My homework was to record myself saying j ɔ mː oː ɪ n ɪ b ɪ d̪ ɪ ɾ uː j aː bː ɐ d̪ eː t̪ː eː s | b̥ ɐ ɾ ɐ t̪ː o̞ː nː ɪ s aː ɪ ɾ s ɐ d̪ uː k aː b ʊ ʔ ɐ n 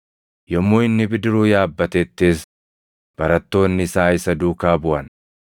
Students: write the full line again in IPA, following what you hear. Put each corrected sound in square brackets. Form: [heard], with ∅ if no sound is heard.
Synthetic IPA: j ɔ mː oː ɪ [nː] ɪ b ɪ d̪ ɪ ɾ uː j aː bː ɐ [t̪] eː t̪ː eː s | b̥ ɐ ɾ ɐ t̪ː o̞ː nː ɪ s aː ɪ [∅] s ɐ d̪ uː k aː b ʊ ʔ ɐ n